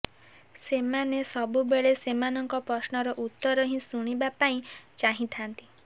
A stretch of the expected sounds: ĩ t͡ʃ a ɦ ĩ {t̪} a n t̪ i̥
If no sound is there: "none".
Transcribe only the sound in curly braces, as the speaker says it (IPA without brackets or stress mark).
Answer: t̪ʰ